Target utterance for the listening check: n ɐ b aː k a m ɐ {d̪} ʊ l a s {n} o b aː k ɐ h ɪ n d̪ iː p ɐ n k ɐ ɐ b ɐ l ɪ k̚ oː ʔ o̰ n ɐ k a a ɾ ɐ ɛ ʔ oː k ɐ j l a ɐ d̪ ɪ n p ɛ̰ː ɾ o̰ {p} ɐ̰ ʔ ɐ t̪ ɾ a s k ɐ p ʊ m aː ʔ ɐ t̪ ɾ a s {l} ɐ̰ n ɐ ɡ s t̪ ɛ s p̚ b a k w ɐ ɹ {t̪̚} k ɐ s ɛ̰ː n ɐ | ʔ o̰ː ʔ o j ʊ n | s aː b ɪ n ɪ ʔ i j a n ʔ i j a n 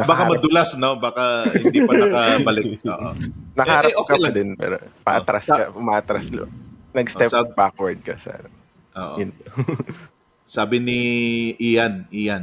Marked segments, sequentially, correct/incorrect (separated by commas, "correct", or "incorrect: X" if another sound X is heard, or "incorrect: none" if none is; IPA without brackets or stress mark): correct, correct, correct, correct, incorrect: d̪̚